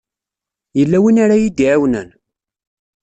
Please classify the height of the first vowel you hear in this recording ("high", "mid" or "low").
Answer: mid